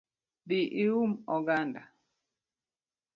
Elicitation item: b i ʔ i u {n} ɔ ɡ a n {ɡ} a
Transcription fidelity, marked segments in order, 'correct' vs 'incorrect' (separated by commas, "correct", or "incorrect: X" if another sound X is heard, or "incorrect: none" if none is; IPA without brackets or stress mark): incorrect: m, incorrect: d